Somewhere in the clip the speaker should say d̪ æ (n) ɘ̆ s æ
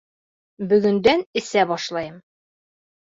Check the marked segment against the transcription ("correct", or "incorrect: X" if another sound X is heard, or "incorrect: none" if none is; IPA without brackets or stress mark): correct